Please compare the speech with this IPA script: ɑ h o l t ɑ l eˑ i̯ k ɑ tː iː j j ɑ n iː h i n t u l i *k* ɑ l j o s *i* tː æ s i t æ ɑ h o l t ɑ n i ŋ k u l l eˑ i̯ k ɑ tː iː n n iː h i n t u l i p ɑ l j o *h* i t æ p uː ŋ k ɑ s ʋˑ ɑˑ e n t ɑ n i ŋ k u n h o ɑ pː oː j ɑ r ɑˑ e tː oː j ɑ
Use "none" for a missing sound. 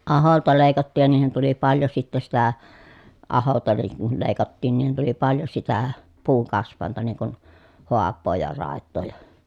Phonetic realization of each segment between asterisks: p, i, s

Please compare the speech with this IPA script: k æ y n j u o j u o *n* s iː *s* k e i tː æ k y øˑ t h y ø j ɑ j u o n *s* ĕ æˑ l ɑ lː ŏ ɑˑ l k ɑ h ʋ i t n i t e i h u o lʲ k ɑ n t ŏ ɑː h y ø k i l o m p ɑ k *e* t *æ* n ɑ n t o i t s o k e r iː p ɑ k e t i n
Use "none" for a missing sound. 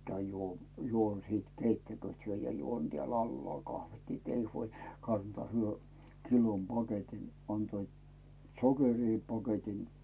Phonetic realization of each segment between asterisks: n, t, t, e, i

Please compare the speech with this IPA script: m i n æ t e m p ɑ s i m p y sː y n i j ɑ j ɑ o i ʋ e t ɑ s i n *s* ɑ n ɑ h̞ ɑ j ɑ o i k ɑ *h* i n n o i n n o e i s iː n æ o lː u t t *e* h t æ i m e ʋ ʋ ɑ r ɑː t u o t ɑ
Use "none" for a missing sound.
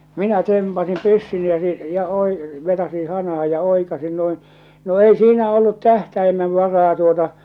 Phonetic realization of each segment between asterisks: h, s, æ

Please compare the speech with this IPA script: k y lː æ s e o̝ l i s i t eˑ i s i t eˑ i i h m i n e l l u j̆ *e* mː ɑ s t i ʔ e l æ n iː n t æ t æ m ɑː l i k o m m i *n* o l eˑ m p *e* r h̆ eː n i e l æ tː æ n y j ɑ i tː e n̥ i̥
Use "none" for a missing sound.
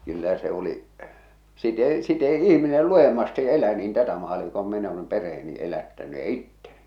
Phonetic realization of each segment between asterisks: e, n, e

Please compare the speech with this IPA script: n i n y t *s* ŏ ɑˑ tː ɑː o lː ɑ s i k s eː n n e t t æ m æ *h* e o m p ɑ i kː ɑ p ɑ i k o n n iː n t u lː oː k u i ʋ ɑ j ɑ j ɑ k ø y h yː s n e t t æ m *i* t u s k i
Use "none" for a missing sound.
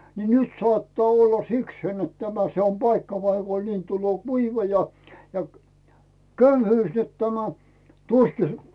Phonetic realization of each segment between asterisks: s, s, æ

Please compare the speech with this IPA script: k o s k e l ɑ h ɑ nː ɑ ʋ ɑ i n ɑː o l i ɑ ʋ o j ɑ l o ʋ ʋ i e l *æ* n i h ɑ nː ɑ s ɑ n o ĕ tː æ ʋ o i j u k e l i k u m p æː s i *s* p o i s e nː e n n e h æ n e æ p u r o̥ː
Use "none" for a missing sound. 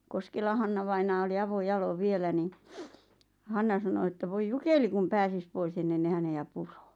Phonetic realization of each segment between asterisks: æ, s

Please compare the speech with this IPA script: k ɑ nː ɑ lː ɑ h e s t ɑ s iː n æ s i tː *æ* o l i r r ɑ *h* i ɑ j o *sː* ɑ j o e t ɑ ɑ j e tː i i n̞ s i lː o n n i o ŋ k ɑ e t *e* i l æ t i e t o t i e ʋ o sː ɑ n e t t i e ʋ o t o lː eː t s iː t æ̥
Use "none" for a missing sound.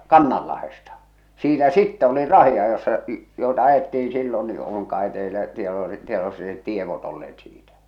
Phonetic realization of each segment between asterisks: ɛ, h, sː, e

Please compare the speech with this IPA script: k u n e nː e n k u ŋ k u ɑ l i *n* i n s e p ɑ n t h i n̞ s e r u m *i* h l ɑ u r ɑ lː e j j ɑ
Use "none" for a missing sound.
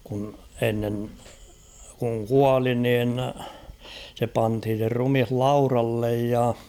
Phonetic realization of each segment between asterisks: n, i

